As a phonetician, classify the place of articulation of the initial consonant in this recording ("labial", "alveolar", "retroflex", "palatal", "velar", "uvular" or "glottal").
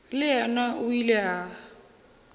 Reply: alveolar